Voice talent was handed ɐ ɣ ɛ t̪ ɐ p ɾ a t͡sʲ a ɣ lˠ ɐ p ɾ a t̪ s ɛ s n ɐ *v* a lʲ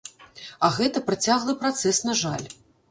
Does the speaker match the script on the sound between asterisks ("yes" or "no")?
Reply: no